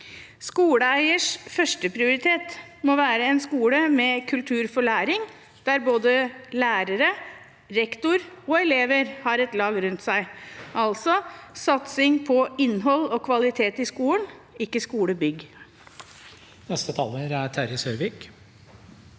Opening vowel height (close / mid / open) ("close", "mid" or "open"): close